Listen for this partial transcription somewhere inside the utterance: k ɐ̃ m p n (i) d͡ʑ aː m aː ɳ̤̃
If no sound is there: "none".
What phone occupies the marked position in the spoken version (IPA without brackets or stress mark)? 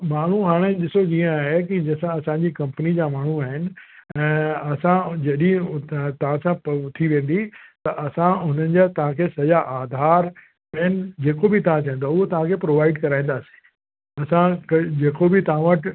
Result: i